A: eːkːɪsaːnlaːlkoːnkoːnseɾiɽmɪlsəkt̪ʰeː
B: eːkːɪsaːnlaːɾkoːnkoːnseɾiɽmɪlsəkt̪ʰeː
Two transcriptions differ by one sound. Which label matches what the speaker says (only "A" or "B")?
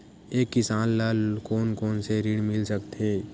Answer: A